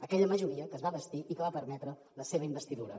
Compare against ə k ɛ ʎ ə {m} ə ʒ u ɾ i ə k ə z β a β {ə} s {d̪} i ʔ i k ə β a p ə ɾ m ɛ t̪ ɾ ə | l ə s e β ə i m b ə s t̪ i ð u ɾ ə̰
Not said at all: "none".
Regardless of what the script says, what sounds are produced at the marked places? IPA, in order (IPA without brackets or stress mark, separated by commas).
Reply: m, ə, t̪